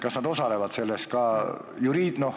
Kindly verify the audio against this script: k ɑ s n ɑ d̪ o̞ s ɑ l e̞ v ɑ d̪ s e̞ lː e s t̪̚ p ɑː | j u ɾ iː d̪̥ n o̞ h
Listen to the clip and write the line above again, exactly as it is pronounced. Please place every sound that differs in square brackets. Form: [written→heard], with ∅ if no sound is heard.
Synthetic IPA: k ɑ s n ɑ d̪ o̞ s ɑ l e̞ v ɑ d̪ s e̞ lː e s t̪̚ [p→k] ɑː | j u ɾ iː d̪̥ n o̞ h